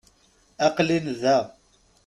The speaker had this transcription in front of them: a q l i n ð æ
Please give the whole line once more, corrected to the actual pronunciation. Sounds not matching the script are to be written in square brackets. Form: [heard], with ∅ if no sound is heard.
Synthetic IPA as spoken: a q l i n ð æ